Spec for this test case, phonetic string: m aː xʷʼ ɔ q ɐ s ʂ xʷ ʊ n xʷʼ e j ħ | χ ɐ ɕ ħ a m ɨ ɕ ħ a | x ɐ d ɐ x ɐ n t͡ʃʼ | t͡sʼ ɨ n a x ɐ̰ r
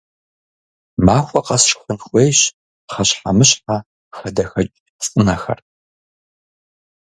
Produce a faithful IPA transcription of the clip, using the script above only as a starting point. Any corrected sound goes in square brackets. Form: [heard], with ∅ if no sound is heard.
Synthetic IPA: m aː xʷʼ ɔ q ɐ s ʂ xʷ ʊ n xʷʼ e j [ɕ] | χ ɐ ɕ ħ a m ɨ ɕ ħ a | x ɐ d ɐ x ɐ [∅] t͡ʃʼ | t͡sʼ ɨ n [ɐ] x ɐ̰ r